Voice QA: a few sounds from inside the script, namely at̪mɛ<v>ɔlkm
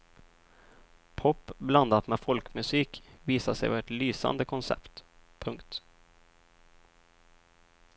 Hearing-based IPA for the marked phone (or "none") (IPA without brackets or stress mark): f